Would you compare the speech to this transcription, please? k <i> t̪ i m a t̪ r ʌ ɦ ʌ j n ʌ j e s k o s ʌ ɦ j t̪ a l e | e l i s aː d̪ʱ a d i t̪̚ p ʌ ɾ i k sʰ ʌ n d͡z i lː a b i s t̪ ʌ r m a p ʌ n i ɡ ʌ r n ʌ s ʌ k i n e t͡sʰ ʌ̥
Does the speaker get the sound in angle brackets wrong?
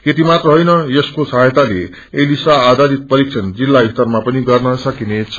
yes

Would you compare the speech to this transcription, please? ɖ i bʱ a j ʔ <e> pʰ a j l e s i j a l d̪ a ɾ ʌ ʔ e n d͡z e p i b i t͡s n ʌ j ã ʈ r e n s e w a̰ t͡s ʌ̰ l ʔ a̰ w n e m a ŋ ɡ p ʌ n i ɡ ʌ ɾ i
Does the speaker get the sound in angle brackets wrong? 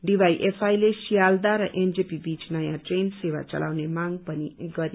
no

